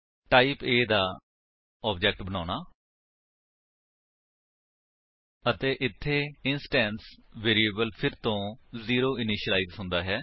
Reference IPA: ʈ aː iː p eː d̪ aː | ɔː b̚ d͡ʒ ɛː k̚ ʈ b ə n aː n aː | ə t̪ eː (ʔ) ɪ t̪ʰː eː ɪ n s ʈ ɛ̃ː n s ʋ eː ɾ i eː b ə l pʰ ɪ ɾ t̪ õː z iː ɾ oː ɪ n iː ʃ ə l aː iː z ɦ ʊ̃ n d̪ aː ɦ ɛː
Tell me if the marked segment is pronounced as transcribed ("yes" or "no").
yes